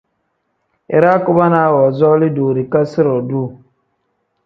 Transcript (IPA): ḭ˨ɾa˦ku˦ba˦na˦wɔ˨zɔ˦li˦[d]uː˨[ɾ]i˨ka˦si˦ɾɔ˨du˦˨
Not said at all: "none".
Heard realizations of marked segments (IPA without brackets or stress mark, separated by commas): d, ɾ